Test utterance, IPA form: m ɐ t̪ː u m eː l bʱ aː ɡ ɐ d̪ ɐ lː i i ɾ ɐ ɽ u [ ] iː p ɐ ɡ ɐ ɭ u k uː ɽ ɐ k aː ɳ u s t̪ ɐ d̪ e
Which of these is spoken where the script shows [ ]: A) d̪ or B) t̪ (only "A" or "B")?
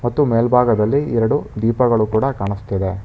A